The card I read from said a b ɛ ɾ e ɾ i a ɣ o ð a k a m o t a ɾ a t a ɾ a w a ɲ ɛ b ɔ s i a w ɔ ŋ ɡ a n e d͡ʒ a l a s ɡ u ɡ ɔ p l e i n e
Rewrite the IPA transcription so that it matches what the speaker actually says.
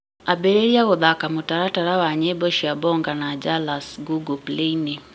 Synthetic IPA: a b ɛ ɾ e ɾ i a ɣ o ð a k a m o t a ɾ a t a ɾ a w a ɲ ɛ b ɔ ʃ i a b ɔ ŋ ɡ a n a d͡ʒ a l a s ɡ u ɡ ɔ p l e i n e